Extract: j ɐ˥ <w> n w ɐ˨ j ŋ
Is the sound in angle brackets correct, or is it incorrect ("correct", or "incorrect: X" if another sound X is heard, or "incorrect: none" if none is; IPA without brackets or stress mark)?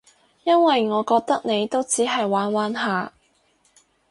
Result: incorrect: none